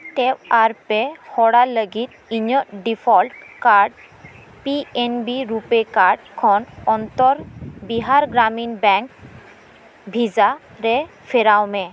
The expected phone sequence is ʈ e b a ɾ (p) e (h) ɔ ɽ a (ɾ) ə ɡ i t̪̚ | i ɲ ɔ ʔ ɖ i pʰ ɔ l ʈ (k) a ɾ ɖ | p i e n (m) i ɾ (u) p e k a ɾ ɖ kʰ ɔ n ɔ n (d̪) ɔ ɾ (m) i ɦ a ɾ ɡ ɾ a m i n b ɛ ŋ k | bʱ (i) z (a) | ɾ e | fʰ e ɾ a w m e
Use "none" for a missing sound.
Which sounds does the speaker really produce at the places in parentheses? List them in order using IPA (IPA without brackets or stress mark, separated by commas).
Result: p, h, l, k, b, u, t̪, b, i, a